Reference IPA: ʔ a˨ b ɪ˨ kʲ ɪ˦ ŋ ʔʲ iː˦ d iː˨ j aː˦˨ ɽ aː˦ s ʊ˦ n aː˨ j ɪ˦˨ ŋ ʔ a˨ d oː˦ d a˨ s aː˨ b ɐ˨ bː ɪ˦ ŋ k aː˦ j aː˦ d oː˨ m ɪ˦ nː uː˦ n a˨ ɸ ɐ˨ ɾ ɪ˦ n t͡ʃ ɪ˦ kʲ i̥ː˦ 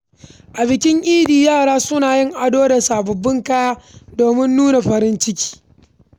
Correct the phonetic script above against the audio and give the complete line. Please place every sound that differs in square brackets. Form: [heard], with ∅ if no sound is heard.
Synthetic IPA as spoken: ʔ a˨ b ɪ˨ kʲ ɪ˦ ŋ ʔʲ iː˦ d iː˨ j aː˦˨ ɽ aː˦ s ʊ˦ n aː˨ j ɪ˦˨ ŋ ʔ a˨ d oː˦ d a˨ s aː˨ b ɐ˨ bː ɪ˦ ŋ k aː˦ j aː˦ d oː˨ m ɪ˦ nː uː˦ n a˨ ɸ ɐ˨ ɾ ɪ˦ n t͡ʃ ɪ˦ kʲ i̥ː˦